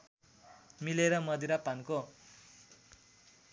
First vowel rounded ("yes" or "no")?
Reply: no